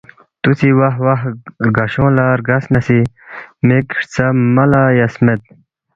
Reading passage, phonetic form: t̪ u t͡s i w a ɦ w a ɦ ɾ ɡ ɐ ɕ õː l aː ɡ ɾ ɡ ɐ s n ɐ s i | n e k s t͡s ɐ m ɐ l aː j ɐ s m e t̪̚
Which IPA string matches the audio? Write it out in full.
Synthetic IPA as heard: t̪ u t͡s i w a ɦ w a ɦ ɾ ɡ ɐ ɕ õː l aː ɾ ɡ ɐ s n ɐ s i | m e k ʂ t͡s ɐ m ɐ l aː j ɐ s m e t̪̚